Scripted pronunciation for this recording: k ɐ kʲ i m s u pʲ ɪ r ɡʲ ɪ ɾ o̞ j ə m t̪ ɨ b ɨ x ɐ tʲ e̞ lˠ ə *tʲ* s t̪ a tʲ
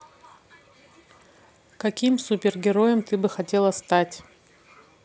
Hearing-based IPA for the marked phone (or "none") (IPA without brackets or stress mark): none